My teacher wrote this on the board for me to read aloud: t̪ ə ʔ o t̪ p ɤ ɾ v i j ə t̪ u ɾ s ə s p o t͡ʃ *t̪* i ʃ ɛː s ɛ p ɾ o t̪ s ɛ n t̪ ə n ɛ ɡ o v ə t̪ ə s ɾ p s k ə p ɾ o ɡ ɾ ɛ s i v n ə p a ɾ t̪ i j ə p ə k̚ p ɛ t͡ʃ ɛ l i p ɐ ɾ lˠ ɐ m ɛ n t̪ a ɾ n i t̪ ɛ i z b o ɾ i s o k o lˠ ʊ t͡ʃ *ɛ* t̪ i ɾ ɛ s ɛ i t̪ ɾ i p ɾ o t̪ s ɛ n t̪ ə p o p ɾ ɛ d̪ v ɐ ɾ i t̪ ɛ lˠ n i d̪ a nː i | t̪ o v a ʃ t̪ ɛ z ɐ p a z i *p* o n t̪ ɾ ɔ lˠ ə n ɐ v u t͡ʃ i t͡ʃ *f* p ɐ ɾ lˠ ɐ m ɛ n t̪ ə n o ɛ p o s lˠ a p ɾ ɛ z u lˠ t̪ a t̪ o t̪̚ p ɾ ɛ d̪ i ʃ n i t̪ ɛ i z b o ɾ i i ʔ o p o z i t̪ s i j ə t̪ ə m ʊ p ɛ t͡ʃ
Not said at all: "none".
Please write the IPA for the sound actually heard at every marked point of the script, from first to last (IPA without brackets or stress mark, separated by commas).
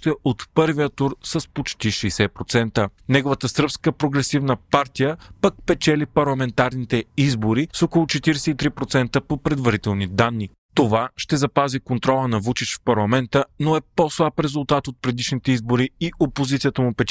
t̪, ɛ, k, f